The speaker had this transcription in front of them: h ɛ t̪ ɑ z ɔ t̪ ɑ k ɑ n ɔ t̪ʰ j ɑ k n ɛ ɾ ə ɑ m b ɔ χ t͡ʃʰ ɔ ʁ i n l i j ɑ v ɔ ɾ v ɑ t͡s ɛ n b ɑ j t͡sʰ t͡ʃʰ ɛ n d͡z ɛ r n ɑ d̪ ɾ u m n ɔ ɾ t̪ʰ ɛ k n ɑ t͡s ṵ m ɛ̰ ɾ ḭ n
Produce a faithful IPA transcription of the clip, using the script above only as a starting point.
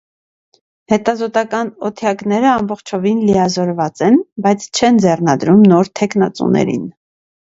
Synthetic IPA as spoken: h ɛ t̪ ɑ z ɔ t̪ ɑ k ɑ n ɔ t̪ʰ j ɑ k n ɛ ɾ ə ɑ m b ɔ χ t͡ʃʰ ɔ v i n l i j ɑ z ɔ ɾ v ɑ t͡s ɛ n b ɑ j t͡sʰ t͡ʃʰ ɛ n d͡z ɛ r n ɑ d̪ ɾ u m n ɔ ɾ t̪ʰ ɛ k n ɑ t͡s ṵ n ɛ̰ ɾ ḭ n